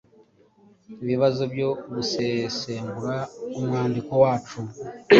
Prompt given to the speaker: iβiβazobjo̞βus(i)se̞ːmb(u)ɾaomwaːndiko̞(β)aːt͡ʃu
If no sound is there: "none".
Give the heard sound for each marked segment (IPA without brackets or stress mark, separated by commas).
e, u, w